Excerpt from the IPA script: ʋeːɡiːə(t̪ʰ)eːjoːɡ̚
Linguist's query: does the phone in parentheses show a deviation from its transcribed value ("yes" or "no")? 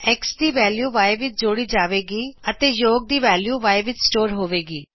yes